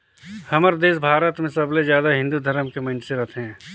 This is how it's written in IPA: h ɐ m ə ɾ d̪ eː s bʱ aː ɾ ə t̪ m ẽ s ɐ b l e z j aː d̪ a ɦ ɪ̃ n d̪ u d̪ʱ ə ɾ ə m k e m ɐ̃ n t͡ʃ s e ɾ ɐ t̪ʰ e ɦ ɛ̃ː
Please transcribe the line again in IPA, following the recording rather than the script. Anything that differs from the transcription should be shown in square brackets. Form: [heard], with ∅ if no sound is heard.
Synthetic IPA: h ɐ m ə ɾ d̪ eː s bʱ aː ɾ ə t̪ m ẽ s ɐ b l e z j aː d̪ a ɦ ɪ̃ n d̪ u d̪ʱ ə ɾ ə m k e m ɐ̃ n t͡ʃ s e ɾ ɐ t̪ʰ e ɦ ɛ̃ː